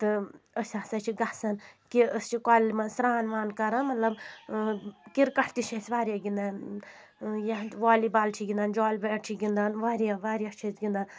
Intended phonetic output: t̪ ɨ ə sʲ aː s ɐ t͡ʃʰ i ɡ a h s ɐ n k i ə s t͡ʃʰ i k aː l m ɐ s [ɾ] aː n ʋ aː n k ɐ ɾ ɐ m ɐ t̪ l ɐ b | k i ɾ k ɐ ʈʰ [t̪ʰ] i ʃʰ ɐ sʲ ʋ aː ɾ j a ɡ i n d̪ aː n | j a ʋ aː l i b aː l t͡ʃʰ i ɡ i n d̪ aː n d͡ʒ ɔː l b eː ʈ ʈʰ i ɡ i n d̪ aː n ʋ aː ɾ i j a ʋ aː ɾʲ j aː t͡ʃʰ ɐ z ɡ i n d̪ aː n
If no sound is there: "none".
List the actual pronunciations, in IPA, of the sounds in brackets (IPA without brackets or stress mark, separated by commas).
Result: ɾ, t̪